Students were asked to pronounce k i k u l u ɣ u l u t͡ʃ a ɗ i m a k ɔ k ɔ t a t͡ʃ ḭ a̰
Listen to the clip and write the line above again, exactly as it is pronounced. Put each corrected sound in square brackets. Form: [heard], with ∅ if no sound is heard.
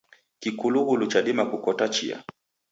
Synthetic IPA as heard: k i k u l u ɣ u l u t͡ʃ a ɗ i m a k [u] k ɔ t a t͡ʃ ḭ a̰